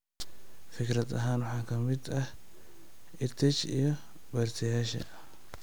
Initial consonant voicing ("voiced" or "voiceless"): voiceless